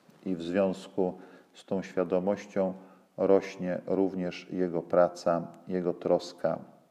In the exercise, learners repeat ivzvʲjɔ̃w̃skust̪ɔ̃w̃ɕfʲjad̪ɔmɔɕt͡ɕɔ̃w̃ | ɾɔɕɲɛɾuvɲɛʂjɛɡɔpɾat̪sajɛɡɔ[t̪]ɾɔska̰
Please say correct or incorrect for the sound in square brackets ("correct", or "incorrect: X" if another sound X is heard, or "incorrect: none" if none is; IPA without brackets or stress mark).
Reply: correct